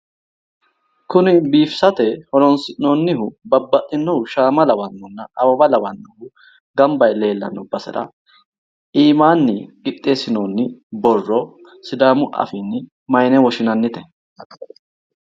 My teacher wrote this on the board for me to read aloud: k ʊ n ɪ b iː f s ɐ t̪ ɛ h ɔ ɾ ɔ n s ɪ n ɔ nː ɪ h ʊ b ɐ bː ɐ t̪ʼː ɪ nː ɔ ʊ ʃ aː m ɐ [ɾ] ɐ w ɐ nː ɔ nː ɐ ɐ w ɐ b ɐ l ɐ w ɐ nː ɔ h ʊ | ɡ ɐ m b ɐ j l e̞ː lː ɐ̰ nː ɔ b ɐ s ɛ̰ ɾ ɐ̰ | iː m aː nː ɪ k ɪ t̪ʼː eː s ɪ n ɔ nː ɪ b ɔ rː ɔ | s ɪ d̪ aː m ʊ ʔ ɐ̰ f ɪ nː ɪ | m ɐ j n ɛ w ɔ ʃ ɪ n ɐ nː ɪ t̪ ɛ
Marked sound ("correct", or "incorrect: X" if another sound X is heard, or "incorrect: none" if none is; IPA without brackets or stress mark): incorrect: l